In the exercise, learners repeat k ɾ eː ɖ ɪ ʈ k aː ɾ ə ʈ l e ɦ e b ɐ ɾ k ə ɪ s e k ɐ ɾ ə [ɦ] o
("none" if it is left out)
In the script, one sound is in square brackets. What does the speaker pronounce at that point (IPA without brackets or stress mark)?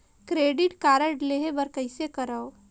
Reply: none